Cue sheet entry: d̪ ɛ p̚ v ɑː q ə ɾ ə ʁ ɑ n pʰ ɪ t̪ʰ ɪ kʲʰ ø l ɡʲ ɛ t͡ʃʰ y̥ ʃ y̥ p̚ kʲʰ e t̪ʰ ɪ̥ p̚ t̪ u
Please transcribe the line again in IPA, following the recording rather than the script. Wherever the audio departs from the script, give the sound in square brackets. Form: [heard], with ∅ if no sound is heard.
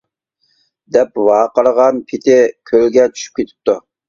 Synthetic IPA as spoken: d̪ ɛ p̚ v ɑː q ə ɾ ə ʁ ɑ n pʰ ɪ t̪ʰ ɪ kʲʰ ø l ɡʲ ɛ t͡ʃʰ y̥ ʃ y̥ p̚ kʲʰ e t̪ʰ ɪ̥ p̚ t̪ u